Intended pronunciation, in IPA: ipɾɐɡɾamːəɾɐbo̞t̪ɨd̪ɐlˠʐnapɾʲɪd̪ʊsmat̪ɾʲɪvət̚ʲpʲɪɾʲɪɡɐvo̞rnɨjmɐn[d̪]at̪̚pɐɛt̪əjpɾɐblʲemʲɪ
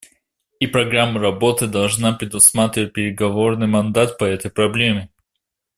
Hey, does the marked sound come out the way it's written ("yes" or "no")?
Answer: yes